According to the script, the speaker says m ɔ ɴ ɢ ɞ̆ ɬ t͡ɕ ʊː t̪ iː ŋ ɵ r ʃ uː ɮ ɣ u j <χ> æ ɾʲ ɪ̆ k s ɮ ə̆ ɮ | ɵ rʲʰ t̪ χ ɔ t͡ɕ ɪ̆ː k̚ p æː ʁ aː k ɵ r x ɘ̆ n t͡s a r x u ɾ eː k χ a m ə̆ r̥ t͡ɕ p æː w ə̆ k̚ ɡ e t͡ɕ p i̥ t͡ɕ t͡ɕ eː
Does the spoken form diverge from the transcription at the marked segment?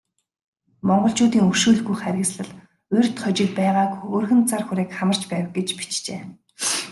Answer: no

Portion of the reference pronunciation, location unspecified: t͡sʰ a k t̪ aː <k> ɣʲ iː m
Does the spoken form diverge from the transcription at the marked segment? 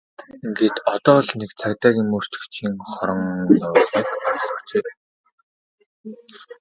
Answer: yes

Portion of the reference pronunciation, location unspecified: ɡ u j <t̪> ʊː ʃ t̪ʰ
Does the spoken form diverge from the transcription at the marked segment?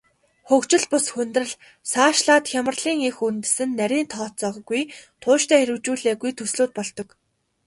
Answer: yes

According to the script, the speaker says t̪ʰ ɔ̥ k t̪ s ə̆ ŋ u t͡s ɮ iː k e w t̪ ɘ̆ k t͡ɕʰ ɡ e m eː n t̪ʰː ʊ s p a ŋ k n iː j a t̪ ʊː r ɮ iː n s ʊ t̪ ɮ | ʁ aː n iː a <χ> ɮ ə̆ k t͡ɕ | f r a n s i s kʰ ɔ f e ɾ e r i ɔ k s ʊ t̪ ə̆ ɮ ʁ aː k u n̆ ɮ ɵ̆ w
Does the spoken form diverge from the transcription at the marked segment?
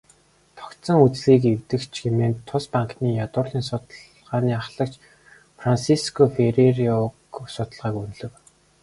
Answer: no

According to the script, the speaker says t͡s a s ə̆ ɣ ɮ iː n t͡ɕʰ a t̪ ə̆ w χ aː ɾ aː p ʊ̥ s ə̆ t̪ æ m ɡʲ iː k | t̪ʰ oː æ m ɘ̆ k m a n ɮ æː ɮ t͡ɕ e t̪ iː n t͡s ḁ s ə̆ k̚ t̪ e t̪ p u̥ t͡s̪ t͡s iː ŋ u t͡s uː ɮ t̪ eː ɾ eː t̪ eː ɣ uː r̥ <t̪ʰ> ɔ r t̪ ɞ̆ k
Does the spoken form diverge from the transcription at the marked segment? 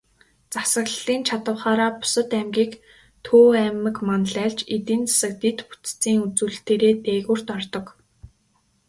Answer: yes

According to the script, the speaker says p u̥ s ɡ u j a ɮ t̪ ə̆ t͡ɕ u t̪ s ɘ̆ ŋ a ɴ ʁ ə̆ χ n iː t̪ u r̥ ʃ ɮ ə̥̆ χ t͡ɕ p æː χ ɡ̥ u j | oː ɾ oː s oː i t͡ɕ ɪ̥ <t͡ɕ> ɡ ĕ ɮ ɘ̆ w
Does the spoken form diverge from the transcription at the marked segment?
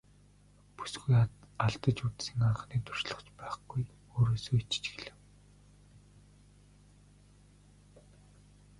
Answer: no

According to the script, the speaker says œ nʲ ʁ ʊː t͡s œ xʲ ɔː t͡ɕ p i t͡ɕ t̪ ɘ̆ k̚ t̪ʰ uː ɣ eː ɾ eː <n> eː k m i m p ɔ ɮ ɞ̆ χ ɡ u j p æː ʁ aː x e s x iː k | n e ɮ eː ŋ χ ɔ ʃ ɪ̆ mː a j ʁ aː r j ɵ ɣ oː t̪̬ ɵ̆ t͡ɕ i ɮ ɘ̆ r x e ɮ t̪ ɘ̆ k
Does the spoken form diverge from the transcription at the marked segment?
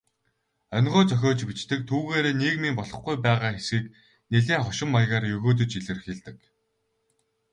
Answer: no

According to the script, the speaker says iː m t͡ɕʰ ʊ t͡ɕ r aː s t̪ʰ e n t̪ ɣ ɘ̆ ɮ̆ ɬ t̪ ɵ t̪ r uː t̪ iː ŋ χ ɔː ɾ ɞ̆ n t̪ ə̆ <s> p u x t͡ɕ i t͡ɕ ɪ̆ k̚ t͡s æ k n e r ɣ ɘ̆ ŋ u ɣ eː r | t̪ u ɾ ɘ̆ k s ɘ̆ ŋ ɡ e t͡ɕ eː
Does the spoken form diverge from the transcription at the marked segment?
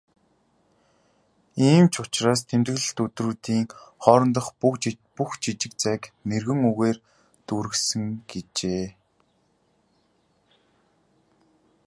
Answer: yes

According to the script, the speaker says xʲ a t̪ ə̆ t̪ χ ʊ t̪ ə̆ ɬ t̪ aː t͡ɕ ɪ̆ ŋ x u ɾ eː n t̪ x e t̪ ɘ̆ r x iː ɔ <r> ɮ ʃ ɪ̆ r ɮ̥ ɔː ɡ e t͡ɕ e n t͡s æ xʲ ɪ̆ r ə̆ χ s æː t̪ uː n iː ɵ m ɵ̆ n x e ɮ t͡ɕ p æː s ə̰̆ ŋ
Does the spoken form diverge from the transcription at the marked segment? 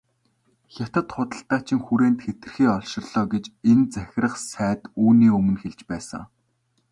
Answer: yes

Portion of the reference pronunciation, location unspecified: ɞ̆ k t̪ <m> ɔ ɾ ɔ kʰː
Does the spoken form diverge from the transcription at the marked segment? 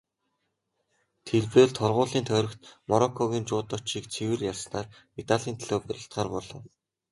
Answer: no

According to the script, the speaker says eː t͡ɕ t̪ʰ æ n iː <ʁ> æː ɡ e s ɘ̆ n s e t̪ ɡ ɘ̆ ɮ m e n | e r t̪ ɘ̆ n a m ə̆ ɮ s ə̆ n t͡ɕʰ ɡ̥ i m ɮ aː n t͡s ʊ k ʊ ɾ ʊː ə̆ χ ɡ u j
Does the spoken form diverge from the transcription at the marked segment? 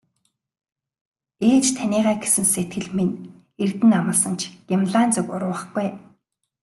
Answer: no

